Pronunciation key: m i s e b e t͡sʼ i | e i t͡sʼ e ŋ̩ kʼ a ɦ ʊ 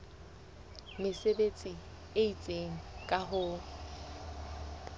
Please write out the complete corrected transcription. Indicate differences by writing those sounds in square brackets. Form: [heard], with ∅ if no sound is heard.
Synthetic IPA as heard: m [ɪ] s e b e t͡sʼ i | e i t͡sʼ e ŋ̩ kʼ a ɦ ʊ